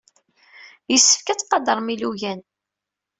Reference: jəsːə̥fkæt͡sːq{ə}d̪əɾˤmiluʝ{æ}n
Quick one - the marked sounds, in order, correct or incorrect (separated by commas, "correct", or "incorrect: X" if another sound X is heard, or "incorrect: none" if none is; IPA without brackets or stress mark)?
incorrect: ɑ, correct